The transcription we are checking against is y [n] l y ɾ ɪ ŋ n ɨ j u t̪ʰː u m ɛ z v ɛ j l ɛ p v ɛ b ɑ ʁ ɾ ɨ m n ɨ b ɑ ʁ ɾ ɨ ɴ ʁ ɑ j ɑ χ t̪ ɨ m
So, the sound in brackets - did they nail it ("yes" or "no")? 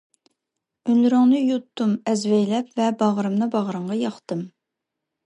yes